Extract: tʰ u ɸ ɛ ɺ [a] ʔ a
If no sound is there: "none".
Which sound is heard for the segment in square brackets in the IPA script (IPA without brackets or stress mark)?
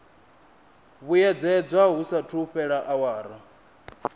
a